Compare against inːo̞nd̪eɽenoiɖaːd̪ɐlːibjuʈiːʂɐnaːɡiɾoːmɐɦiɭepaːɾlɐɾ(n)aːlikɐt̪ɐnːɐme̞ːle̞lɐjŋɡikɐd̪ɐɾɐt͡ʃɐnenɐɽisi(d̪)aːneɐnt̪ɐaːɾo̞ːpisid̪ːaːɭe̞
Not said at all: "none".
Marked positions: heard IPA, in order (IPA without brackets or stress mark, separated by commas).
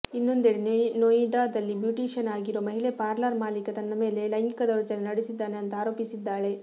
m, d̪ː